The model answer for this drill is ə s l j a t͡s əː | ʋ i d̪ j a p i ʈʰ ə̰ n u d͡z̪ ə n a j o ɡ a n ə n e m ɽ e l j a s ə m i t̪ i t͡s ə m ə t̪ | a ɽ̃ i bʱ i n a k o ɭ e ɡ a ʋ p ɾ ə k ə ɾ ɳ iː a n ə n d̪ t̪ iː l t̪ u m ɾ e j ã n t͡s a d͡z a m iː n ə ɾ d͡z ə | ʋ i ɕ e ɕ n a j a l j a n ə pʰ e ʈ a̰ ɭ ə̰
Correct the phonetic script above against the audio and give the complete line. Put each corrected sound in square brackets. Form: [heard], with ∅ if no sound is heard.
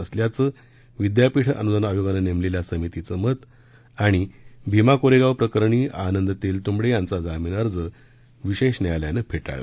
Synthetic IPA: ə s l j a t͡s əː | ʋ i d̪ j a p i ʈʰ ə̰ n u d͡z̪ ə n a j o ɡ a n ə n e m [l] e l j a s ə m i t̪ i t͡s ə m ə t̪ | a ɽ̃ i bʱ i [m] a k o [ɾ] e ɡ a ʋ p ɾ ə k ə ɾ ɳ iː a n ə n d̪ t̪ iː l t̪ u m [ɽ] e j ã n t͡s a d͡z a m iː n ə ɾ d͡z ə | ʋ i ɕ e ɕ n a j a l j a n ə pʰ e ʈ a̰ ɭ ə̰

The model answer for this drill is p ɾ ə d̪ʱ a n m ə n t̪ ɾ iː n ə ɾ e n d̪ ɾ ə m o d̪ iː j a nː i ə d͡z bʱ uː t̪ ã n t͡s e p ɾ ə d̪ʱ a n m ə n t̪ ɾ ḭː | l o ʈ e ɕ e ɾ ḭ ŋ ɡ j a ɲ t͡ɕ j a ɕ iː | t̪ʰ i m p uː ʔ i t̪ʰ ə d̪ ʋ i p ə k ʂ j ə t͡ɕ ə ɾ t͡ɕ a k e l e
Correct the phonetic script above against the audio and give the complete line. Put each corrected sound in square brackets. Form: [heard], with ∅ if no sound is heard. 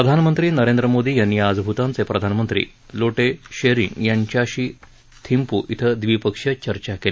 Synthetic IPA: p ɾ ə d̪ʱ a n m ə n t̪ ɾ iː n ə ɾ e n d̪ ɾ ə m o d̪ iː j a nː i [a] d͡z bʱ [u] t̪ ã n t͡s e p ɾ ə d̪ʱ a n m ə n t̪ ɾ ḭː | l o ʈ e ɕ e ɾ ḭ ŋ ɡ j a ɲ t͡ɕ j a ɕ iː | t̪ʰ i m p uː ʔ i t̪ʰ ə d̪ ʋ i p ə k ʂ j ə t͡ɕ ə ɾ t͡ɕ a k e l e

